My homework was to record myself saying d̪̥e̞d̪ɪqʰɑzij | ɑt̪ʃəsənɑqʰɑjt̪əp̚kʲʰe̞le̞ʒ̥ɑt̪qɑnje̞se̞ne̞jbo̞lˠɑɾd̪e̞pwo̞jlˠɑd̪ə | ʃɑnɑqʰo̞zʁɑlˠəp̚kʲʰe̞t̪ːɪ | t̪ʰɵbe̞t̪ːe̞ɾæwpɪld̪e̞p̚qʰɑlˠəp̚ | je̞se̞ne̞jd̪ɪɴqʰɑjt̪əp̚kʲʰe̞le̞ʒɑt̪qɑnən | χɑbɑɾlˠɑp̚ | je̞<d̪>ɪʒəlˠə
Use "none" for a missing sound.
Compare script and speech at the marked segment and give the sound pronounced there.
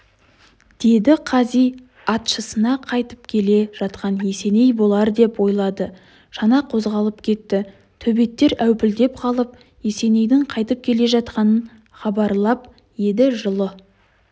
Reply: d̪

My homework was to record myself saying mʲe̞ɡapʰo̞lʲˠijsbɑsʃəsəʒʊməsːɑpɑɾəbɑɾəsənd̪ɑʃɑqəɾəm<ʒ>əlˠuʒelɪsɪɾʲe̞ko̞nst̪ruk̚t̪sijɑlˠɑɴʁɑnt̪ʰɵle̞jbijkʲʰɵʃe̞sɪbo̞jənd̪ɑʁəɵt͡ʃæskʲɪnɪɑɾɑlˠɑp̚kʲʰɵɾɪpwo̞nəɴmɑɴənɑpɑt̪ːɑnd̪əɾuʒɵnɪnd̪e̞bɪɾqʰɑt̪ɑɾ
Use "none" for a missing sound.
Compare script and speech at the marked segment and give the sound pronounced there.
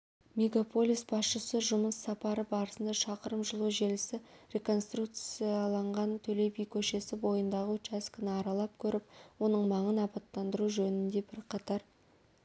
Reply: ʒ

